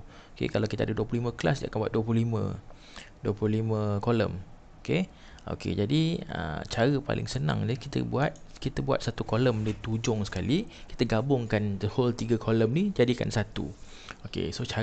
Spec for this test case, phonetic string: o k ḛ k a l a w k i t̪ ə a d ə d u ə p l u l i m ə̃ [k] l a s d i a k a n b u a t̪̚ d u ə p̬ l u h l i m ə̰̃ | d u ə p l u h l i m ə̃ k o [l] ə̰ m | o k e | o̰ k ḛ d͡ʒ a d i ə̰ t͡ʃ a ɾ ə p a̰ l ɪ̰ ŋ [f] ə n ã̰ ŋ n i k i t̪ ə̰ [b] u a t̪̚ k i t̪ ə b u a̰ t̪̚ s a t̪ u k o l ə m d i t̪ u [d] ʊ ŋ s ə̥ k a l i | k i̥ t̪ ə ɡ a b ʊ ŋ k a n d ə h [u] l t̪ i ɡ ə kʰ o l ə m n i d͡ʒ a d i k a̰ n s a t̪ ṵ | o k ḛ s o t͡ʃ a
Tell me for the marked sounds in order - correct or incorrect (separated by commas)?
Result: correct, correct, incorrect, correct, incorrect, incorrect